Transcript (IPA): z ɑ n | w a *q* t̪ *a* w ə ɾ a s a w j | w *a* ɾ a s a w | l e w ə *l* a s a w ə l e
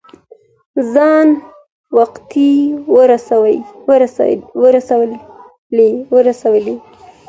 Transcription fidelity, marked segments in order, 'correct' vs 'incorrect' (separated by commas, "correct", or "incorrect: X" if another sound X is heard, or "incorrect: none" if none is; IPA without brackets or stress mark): correct, incorrect: i, incorrect: ə, incorrect: ɾ